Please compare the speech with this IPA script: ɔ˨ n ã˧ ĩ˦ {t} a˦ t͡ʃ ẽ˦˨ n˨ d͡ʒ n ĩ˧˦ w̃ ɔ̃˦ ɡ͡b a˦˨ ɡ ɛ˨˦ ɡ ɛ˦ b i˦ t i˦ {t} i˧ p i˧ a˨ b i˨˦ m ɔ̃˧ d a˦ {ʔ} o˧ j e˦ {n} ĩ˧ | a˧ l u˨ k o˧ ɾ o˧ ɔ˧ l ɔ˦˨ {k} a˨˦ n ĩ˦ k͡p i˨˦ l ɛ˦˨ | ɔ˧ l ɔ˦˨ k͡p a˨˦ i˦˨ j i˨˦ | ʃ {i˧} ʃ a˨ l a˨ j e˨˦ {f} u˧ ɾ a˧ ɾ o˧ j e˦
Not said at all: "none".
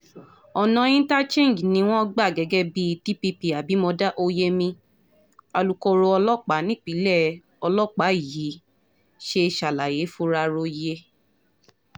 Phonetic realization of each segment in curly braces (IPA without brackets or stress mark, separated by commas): t, p, ʔ, m, k͡p, e˧, f